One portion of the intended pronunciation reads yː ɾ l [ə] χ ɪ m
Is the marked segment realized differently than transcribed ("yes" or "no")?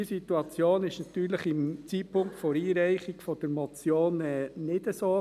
no